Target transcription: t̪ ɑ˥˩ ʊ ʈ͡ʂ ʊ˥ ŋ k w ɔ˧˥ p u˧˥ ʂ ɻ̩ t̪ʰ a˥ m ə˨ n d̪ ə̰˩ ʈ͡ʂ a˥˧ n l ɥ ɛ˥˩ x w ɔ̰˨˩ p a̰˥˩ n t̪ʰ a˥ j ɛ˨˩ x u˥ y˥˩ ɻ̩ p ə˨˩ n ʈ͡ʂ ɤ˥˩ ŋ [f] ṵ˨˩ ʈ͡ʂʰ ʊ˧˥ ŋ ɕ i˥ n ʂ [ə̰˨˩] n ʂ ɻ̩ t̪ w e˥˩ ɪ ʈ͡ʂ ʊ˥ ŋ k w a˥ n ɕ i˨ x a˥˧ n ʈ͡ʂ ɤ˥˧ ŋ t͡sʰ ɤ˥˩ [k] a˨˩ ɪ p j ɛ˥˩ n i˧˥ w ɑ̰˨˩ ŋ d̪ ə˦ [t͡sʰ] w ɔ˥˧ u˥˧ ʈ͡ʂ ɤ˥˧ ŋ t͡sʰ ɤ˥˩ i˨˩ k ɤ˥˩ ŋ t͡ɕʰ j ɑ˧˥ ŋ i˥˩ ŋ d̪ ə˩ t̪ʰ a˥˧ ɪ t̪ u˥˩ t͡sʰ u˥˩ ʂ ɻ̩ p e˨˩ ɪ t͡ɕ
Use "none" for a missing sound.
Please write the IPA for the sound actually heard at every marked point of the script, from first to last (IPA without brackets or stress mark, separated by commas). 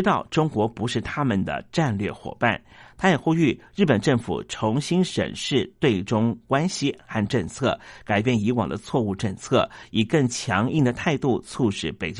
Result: f, ə̰˨˩, k, t͡sʰ